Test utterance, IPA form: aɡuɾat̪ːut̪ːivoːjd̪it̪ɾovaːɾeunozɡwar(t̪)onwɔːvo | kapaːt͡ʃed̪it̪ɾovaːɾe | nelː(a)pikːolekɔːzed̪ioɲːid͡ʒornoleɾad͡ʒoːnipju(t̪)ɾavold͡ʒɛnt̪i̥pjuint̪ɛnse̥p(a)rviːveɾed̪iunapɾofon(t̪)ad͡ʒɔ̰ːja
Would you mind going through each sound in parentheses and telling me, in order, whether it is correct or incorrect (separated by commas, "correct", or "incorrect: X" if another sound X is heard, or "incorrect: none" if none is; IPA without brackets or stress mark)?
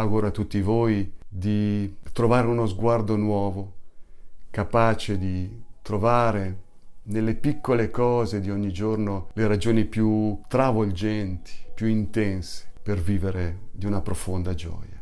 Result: incorrect: d̪, incorrect: e, correct, incorrect: e, incorrect: d̪